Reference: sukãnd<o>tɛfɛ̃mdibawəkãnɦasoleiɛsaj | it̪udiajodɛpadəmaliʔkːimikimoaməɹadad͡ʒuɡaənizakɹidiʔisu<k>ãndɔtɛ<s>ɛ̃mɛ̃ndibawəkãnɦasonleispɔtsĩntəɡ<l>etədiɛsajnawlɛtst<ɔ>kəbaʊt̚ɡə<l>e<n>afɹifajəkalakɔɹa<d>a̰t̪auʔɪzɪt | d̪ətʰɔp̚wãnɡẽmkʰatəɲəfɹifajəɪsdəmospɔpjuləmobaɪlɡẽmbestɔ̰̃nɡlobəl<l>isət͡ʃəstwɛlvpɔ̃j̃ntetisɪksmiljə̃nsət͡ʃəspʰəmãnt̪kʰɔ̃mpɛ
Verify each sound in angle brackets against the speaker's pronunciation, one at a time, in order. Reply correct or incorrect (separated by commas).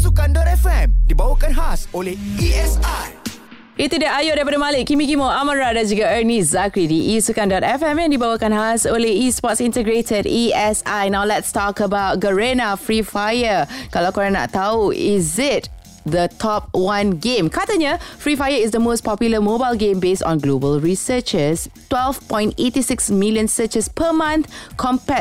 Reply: incorrect, correct, incorrect, incorrect, correct, incorrect, correct, incorrect, incorrect